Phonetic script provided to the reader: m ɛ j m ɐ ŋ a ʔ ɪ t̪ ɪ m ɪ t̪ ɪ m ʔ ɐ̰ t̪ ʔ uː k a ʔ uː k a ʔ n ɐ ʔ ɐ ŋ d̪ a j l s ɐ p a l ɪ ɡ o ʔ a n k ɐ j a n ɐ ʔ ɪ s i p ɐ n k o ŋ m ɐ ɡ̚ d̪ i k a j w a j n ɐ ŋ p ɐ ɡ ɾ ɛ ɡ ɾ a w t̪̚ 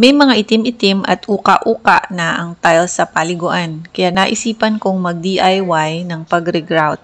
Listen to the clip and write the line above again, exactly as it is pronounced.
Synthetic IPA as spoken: m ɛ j m ɐ ŋ a ʔ ɪ t̪ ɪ m ɪ t̪ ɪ m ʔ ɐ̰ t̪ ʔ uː k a ʔ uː k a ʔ n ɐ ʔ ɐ ŋ t̪ a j l s ɐ p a l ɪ ɡ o ʔ a n k ɐ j a n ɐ ʔ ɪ s iː p ɐ n k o ŋ m ɐ ɡ̚ d̪ i ʔ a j w a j n ɐ ŋ p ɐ ɡ ɾ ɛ ɡ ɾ a w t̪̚